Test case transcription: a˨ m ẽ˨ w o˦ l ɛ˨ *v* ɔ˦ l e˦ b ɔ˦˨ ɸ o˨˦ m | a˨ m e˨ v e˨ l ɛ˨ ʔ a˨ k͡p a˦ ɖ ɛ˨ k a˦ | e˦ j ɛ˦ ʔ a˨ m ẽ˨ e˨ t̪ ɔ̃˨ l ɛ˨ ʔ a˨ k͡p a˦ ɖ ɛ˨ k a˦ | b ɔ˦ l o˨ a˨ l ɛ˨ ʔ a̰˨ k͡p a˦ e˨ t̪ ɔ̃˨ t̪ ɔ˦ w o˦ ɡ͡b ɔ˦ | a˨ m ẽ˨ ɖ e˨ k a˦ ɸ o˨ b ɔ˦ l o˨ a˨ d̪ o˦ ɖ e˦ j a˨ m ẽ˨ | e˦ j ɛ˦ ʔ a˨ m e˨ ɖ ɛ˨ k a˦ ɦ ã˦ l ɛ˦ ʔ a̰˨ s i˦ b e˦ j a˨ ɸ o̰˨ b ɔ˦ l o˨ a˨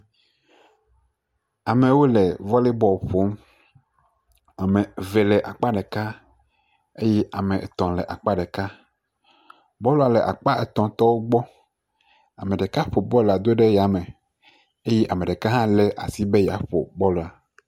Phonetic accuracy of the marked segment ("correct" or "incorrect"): correct